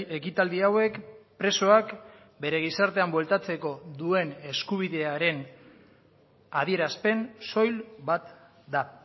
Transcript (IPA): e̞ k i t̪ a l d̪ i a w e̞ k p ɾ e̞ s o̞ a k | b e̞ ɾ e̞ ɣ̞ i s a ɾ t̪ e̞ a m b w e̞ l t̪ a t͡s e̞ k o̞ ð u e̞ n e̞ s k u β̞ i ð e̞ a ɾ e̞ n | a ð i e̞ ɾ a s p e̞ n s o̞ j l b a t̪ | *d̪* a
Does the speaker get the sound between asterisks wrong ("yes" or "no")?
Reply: no